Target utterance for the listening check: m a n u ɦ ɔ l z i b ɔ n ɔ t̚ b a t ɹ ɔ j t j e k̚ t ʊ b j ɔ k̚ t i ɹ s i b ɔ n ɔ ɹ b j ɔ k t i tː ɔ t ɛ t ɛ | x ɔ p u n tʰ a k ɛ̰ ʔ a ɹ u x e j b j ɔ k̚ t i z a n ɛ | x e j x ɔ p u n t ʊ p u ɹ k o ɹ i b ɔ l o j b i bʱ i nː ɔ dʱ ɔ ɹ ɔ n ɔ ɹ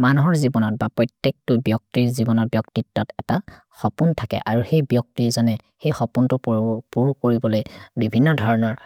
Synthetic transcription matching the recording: m a n u ɦ ɔ ɹ z i b ɔ n ɔ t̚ b a p ɹ ɔ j t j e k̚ t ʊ b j ɔ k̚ t i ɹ z i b ɔ n ɔ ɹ b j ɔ k t i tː ɔ t ɛ t a | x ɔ p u n tʰ a k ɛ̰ ʔ a ɹ u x e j b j ɔ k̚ t i z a n ɛ | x e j x ɔ p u n t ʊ p u ɹ k o ɹ i b ɔ l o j b i bʱ i nː ɔ dʱ ɔ ɹ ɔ n ɔ ɹ